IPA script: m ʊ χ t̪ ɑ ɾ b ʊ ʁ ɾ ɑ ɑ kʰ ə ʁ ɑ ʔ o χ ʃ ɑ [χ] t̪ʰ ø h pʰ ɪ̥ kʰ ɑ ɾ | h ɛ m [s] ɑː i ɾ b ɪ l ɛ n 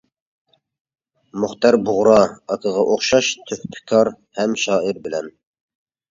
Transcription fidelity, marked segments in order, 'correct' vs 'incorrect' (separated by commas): incorrect, incorrect